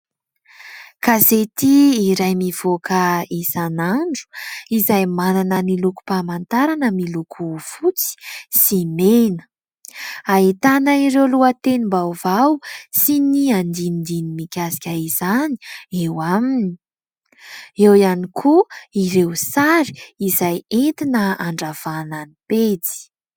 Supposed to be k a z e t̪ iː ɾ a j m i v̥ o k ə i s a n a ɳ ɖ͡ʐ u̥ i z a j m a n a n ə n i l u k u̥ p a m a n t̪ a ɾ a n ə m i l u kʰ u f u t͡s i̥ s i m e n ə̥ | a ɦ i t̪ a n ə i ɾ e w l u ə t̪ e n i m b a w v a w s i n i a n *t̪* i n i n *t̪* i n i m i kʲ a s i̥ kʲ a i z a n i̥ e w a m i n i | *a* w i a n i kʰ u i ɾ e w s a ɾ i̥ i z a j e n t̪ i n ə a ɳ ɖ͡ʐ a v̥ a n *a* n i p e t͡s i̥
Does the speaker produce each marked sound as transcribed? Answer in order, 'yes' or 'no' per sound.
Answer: no, no, no, yes

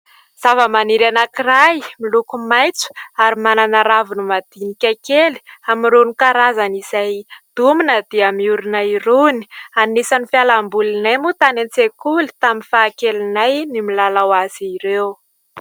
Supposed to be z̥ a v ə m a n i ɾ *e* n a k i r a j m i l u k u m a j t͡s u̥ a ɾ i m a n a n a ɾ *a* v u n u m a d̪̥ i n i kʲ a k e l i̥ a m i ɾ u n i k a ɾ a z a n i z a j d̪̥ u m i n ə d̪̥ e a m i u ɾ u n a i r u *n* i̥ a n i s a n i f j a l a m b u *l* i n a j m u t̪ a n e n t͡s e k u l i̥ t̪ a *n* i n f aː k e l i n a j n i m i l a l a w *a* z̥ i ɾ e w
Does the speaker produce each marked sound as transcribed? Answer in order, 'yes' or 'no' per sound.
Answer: no, yes, yes, yes, no, yes

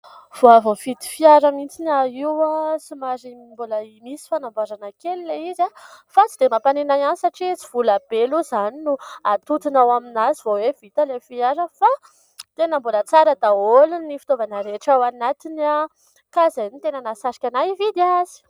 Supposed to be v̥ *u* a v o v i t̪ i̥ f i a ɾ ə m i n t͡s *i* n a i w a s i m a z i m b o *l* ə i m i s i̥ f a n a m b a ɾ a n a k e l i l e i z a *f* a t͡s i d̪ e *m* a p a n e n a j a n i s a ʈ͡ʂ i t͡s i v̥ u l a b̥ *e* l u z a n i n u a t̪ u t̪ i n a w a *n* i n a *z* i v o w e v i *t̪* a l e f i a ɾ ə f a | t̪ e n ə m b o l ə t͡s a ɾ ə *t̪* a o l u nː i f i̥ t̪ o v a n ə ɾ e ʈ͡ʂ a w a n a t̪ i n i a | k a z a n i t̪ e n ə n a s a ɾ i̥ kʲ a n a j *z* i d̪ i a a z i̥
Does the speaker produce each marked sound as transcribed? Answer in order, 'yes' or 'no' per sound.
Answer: no, yes, yes, yes, yes, yes, no, yes, yes, no, no

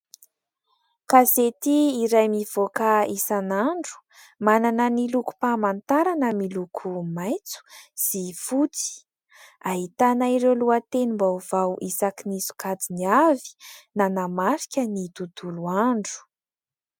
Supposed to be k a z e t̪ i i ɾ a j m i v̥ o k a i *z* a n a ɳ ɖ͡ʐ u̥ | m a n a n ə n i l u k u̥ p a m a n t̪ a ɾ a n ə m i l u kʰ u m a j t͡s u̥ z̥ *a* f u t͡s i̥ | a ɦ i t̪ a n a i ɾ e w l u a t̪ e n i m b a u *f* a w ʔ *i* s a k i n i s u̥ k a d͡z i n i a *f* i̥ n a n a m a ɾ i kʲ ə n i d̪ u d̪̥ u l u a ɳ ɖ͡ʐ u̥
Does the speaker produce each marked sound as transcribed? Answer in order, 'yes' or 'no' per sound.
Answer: no, no, no, yes, no

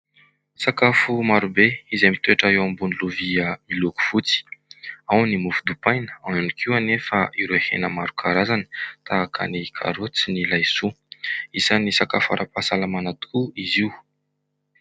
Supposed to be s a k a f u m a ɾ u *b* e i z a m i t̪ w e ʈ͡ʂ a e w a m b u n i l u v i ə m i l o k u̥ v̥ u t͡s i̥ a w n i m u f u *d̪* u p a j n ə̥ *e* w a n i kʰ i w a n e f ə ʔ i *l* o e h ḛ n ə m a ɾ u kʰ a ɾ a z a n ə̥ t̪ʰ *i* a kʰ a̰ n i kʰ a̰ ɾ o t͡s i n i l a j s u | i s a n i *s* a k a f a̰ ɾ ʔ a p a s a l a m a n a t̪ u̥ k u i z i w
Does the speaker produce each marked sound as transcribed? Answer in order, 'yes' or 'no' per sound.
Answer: yes, yes, no, no, no, yes

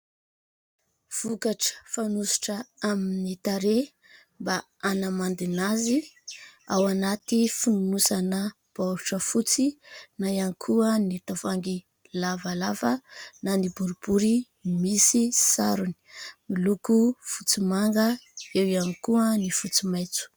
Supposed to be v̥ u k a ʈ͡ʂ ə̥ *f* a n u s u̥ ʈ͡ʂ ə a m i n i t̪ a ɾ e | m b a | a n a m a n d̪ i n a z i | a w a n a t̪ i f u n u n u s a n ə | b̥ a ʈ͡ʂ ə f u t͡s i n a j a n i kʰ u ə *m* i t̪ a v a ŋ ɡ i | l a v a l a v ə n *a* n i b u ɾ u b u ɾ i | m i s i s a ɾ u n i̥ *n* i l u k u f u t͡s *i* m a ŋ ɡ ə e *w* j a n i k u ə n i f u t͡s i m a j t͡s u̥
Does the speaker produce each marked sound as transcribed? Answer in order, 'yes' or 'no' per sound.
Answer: yes, no, yes, no, yes, yes

